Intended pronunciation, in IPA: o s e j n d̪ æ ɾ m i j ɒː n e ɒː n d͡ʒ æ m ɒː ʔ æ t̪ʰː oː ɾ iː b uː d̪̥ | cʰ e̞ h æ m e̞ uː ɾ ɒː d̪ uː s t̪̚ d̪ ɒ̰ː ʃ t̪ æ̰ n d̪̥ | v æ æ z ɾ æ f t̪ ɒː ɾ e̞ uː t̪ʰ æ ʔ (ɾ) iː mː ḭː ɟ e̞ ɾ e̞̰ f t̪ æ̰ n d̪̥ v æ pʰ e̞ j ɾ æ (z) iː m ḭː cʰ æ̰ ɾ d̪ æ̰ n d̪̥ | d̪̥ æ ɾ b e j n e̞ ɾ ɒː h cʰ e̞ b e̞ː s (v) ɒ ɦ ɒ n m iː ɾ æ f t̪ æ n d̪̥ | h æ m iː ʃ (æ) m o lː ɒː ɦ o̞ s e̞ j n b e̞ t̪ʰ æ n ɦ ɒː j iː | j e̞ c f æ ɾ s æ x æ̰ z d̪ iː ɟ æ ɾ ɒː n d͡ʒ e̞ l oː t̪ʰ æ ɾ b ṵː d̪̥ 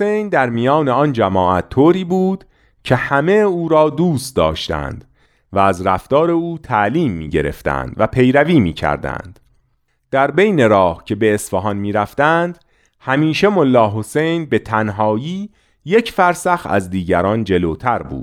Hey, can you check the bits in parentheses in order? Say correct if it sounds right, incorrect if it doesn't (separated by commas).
incorrect, incorrect, incorrect, incorrect